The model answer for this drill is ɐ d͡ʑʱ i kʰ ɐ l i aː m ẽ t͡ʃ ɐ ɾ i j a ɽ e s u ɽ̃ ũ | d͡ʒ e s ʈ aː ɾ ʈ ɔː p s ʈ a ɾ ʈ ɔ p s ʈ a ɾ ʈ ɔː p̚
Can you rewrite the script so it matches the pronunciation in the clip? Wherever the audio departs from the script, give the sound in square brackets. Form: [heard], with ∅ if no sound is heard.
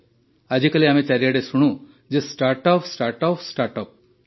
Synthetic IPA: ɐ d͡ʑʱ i [k] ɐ l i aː m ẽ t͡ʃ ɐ ɾ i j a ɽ e s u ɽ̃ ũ | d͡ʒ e s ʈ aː ɾ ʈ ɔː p s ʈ a ɾ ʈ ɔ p s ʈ a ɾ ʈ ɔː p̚